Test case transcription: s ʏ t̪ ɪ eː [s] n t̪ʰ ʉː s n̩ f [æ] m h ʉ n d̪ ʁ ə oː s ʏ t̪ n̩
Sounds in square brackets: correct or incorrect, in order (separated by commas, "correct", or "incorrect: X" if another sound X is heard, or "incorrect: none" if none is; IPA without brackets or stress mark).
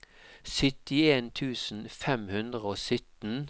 incorrect: none, incorrect: ɛ